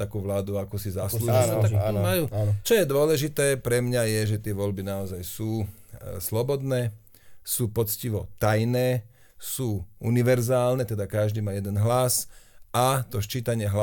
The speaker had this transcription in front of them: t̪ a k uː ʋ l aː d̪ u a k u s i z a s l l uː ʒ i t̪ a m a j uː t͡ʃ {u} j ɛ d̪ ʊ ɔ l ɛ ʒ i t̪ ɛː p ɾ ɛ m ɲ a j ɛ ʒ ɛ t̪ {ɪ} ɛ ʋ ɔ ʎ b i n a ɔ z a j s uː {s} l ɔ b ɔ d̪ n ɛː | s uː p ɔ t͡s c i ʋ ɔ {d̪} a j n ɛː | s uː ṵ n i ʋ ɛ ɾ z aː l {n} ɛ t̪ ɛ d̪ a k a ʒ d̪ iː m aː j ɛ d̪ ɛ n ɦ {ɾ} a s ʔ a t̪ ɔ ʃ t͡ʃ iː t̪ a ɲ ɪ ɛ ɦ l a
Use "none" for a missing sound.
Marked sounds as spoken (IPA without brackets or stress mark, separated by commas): ɔ, ɪ, s, t̪, n, l